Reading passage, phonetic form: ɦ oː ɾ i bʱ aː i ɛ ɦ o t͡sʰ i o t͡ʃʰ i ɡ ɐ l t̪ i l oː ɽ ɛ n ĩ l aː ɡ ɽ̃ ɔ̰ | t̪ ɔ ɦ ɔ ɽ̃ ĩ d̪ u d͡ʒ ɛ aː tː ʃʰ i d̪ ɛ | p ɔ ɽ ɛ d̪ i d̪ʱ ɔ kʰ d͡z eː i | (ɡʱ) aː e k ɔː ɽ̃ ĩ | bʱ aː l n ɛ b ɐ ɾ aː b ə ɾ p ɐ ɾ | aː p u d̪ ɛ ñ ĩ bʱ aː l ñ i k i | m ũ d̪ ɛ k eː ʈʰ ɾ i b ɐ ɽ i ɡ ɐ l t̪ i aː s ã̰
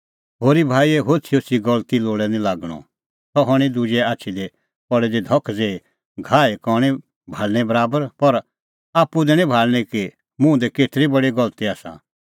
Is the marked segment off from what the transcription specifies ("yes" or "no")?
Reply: no